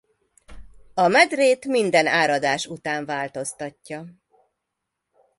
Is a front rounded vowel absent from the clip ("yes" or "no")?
yes